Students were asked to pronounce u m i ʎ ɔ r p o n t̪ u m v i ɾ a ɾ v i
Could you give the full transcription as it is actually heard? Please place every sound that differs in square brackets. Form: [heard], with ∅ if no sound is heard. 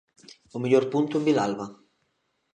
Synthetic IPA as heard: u m i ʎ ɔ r p [u] n t̪ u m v i [l] a [l] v [a]